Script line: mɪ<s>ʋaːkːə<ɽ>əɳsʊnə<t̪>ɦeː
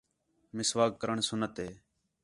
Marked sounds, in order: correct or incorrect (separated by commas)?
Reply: correct, incorrect, correct